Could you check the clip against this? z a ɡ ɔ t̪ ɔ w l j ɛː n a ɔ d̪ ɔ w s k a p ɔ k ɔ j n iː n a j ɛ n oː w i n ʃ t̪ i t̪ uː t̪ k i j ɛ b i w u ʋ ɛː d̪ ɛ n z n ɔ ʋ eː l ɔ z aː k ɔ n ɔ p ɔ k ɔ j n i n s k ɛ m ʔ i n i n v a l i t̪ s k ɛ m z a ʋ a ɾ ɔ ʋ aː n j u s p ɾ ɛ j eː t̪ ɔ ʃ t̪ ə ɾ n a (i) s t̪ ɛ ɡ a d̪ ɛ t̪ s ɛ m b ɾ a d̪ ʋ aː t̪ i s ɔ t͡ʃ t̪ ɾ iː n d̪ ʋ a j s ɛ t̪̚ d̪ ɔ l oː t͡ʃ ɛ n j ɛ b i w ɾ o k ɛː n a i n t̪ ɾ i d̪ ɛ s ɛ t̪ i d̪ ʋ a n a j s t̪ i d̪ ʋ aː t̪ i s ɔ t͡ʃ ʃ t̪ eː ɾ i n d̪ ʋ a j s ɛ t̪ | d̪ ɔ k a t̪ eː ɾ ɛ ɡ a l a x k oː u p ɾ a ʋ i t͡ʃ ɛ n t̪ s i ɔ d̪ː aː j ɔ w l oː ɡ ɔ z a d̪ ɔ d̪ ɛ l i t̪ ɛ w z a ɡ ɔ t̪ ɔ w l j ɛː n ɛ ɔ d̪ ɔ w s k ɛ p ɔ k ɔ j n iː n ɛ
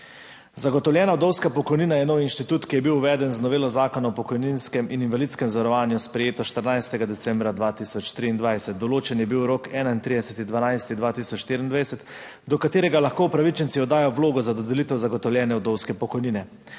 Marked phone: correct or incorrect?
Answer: incorrect